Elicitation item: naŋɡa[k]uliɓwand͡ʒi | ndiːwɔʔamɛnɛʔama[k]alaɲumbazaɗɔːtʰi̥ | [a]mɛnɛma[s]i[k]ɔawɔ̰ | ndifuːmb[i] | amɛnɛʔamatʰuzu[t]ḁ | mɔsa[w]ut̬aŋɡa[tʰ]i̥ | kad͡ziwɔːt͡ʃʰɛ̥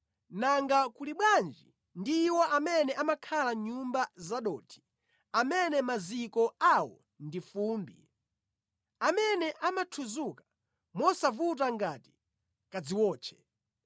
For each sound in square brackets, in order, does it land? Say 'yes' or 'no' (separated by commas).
yes, no, yes, no, yes, yes, no, no, no